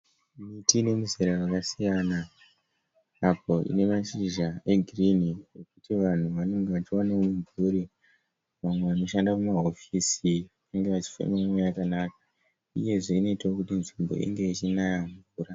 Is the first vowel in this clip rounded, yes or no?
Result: no